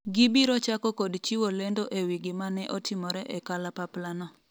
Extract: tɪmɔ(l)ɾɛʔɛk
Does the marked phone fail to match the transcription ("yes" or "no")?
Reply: yes